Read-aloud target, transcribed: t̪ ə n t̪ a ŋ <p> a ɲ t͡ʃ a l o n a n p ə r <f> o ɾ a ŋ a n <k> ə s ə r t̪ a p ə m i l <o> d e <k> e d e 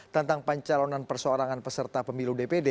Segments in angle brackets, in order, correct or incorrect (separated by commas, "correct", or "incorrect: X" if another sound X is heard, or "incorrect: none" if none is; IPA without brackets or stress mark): correct, incorrect: s, incorrect: p, incorrect: u, incorrect: p